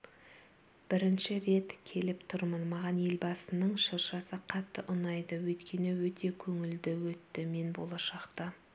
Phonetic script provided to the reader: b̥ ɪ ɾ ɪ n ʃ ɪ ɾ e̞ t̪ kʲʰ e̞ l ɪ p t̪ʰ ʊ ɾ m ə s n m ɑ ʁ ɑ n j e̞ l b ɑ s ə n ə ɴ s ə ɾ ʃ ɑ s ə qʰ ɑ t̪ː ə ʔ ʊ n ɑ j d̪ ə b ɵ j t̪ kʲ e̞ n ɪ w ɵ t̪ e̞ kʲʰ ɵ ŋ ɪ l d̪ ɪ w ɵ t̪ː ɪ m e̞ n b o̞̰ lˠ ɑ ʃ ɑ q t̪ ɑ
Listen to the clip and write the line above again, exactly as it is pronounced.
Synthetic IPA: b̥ ɪ ɾ ɪ n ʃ ɪ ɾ e̞ t̪ kʲʰ e̞ l ɪ p t̪ʰ ʊ ɾ m ə n m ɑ ʁ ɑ n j e̞ l b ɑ s ə n ə ɴ ʃ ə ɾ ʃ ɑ s ə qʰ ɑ t̪ː ə ʔ ʊ n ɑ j d̪ ə w ɵ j t̪ kʲ e̞ n ɪ w ɵ t̪ e̞ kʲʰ ɵ ŋ ɪ l d̪ ɪ w ɵ t̪ː ɪ m e̞ n b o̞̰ lˠ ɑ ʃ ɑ q t̪ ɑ